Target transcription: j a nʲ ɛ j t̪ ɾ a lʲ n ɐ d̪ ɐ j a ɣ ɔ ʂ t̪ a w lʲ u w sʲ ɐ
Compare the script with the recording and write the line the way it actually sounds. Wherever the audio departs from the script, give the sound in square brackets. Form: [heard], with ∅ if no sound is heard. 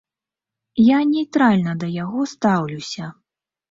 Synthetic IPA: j a nʲ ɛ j t̪ ɾ a lʲ n ɐ d̪ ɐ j a ɣ ɔ [s] t̪ a w lʲ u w sʲ ɐ